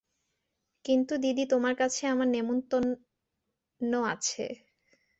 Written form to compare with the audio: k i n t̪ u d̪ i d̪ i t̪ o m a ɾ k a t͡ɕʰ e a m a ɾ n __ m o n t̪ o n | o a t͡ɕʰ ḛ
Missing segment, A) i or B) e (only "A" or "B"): B